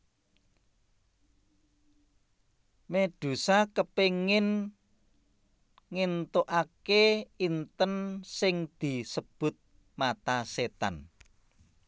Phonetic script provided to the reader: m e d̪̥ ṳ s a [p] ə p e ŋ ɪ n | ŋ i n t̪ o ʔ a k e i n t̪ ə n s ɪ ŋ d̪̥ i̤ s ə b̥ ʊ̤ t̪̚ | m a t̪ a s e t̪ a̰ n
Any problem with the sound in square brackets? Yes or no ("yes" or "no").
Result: yes